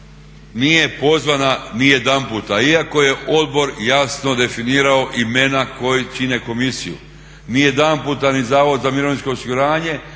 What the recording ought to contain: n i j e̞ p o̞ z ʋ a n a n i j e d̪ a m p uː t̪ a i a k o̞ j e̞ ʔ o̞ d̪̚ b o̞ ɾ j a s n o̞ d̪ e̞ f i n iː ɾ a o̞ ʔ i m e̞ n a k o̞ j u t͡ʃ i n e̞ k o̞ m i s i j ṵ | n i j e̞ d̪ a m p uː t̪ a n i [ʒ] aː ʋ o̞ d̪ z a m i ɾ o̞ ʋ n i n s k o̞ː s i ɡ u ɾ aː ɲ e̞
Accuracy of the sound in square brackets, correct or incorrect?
incorrect